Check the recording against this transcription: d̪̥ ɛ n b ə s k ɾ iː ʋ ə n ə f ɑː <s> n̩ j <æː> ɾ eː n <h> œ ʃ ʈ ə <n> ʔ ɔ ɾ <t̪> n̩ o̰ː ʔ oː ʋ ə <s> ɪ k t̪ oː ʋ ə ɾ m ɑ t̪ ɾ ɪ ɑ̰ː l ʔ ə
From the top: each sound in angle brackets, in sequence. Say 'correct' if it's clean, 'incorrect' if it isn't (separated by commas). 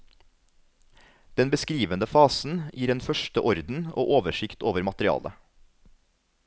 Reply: correct, incorrect, incorrect, incorrect, incorrect, incorrect